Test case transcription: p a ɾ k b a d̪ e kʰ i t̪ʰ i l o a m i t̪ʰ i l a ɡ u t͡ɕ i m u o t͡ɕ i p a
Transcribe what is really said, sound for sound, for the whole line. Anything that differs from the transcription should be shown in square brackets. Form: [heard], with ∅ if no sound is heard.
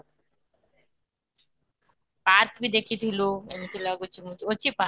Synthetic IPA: p a ɾ k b [i] d̪ e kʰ i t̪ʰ i l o [e] m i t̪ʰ i l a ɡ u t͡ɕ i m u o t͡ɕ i p a